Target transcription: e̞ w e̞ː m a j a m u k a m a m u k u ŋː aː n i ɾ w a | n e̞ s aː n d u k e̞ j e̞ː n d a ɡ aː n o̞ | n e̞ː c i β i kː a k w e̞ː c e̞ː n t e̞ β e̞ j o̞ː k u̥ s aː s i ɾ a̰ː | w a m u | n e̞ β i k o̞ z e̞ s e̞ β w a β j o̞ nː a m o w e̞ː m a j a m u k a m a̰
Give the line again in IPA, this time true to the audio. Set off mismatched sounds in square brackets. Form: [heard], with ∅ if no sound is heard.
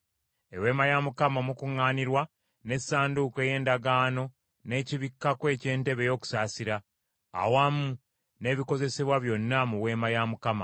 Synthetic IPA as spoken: e̞ w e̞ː m a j a m u k a m a m u k u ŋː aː n i ɾ w a | n e̞ s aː n d u k e̞ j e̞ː n d a ɡ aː n o̞ | n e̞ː c i β i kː a k w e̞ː c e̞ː n t e̞ β e̞ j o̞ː k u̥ s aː s i ɾ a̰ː | w a m u | n e̞ β i k o̞ z e̞ s e̞ β w a β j o̞ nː a m [u] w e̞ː m a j a m u k a m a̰